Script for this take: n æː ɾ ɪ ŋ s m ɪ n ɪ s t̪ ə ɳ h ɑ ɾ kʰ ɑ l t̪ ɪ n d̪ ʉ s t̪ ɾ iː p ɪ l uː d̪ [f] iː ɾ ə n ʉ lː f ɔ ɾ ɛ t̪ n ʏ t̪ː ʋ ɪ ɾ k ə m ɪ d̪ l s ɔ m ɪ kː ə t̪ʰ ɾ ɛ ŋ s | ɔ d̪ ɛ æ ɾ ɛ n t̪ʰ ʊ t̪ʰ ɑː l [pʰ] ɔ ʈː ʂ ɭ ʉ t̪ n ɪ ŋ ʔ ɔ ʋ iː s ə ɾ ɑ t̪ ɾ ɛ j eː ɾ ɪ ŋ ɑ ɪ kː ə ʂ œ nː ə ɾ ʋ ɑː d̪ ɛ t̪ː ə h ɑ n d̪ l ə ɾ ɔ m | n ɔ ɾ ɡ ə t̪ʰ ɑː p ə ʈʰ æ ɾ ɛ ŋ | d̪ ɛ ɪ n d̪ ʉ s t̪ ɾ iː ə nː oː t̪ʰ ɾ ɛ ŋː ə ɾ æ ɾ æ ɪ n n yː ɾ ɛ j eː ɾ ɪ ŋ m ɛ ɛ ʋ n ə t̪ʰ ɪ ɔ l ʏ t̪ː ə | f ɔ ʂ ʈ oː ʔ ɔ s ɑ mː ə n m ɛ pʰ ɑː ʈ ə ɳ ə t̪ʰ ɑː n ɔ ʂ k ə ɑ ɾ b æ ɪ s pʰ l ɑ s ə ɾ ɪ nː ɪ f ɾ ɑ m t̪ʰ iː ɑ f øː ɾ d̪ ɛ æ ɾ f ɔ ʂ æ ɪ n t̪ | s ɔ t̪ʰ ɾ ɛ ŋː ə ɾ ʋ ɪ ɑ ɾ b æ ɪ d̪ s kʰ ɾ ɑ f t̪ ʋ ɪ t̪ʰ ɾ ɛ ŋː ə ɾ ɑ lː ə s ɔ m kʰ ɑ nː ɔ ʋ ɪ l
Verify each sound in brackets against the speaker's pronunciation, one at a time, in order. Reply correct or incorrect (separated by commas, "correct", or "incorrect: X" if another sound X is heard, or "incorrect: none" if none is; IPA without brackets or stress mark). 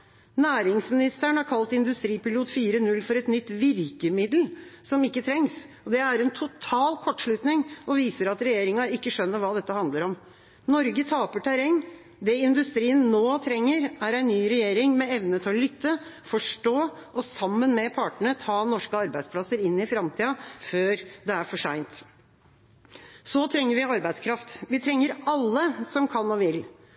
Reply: correct, incorrect: kʰ